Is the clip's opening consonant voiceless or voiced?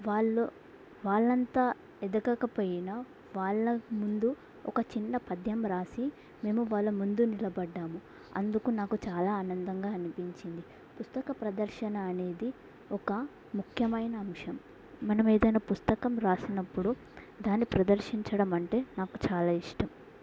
voiced